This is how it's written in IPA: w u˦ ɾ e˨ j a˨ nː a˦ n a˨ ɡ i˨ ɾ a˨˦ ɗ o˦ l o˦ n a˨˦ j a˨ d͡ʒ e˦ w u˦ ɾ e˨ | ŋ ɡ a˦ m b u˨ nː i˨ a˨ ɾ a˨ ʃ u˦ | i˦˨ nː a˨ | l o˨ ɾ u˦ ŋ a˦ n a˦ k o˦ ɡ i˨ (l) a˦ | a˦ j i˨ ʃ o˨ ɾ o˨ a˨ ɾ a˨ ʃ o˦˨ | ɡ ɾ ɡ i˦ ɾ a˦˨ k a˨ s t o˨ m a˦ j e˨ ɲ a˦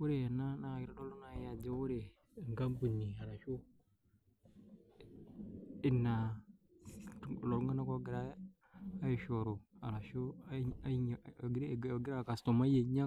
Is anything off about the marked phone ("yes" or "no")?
yes